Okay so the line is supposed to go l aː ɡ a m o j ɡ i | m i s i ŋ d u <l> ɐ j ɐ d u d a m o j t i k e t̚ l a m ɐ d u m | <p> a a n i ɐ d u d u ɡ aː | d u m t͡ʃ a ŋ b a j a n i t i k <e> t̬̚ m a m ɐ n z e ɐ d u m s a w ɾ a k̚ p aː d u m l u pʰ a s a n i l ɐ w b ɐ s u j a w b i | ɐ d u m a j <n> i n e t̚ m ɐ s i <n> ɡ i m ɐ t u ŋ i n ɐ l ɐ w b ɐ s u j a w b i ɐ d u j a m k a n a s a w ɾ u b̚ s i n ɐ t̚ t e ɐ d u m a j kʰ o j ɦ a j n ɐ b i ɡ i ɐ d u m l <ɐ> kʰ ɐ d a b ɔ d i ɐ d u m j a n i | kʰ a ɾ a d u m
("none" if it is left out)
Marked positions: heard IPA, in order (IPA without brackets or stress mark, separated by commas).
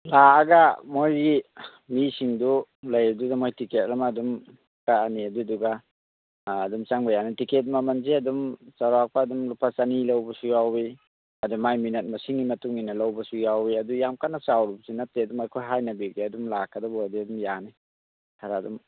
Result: l, k, e, m, ŋ, a